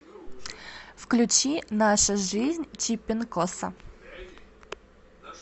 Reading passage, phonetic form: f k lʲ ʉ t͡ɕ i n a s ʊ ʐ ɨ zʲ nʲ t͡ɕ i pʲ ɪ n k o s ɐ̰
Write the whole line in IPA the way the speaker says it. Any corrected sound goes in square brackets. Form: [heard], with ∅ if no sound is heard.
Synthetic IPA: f k lʲ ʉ t͡ɕ i n a [ʂ] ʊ ʐ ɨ zʲ nʲ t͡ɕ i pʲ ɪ n k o s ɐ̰